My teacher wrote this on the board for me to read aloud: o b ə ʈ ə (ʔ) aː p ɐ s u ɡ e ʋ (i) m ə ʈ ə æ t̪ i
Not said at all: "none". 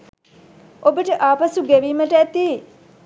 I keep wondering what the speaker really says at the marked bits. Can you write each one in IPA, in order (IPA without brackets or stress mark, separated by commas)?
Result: ʔ, iː